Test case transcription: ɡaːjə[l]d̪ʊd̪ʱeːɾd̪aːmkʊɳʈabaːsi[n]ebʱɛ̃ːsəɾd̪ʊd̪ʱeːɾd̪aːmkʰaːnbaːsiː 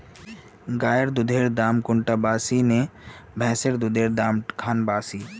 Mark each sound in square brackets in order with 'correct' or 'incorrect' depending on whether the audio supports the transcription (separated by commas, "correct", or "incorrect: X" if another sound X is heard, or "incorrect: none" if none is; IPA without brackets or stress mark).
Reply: incorrect: ɾ, correct